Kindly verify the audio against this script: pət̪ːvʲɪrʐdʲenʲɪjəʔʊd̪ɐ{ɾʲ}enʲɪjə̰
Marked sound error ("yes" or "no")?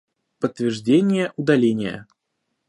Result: yes